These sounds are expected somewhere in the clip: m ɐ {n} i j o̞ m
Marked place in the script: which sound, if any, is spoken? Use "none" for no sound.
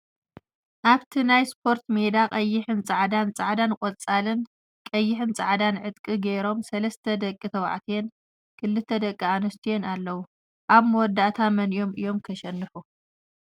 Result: n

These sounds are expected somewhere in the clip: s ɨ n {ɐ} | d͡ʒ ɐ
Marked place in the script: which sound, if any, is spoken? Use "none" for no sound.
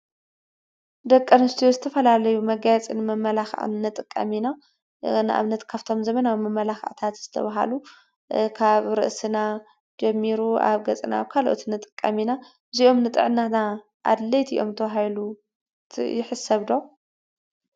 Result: a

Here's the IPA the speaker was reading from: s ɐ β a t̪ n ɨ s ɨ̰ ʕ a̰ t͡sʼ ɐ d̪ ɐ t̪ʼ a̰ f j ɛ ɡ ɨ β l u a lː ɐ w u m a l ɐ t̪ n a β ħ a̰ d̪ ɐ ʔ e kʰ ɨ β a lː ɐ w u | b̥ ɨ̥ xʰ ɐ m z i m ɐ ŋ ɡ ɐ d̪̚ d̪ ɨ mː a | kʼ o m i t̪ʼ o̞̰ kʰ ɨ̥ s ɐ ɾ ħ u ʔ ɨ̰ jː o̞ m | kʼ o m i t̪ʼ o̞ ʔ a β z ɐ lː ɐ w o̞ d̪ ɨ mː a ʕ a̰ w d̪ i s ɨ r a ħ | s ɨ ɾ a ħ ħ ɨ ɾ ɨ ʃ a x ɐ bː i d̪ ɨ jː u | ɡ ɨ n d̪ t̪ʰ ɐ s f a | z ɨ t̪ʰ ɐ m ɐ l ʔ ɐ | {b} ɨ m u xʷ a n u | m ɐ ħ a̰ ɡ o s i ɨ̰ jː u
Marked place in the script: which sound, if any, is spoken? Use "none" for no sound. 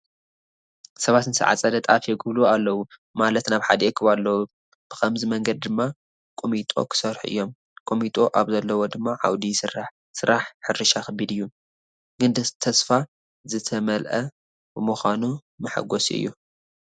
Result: b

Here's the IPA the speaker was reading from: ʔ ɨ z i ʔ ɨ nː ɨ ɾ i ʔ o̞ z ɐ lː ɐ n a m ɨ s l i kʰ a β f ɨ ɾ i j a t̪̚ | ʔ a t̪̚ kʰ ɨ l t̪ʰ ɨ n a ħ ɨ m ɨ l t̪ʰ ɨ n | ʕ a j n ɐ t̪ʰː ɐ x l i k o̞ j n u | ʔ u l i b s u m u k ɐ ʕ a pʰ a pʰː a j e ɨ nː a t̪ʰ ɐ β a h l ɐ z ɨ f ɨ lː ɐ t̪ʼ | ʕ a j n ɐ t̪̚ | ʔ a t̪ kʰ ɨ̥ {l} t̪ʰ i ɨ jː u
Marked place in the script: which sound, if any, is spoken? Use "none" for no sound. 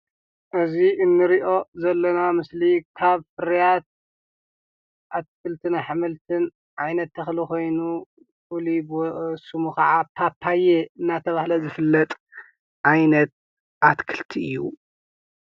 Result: l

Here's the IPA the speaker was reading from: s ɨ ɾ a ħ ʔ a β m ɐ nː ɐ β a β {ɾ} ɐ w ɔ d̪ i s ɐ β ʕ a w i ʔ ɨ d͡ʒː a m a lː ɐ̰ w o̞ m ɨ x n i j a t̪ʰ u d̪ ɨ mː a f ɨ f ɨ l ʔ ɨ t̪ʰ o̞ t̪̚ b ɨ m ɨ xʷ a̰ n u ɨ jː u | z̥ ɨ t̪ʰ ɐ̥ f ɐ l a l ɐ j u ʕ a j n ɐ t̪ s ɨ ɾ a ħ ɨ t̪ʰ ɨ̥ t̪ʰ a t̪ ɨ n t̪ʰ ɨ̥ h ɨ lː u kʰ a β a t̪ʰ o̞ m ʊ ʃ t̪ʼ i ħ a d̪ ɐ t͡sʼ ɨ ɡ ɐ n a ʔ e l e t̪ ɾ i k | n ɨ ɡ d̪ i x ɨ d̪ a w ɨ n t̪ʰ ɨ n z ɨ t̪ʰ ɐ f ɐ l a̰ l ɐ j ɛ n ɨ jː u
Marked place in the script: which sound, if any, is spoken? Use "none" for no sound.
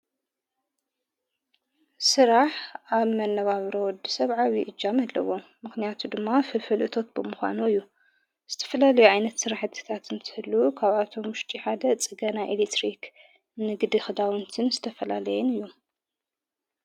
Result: ɾ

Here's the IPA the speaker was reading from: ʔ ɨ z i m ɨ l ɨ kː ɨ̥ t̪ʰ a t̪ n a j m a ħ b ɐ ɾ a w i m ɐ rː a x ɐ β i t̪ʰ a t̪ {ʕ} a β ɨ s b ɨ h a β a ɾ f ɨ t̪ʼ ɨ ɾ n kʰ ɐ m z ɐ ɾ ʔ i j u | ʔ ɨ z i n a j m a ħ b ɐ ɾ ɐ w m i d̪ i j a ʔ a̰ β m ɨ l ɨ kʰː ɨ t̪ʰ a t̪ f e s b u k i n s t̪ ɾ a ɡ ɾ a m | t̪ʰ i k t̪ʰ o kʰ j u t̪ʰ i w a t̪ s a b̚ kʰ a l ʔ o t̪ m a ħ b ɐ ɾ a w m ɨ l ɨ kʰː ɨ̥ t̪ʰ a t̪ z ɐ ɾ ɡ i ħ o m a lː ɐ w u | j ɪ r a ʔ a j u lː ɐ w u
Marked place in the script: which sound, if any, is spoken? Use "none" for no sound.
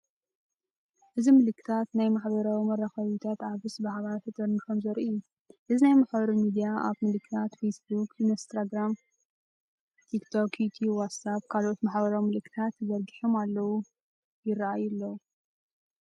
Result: ʕ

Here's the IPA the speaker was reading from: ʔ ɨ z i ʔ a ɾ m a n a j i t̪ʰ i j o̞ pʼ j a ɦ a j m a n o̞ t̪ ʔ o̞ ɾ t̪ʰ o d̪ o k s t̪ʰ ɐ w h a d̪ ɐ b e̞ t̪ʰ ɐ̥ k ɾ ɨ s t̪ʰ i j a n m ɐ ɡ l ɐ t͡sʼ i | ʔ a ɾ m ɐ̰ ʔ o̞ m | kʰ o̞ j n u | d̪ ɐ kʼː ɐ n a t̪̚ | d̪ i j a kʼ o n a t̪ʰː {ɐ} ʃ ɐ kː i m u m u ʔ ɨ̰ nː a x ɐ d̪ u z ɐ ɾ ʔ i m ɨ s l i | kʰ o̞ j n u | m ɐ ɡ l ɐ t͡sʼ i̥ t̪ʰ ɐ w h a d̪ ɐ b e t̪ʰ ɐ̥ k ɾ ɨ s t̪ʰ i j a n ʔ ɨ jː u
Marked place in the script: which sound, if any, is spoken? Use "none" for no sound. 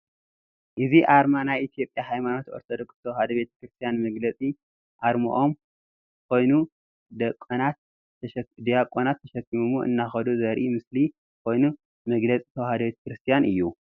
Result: ɐ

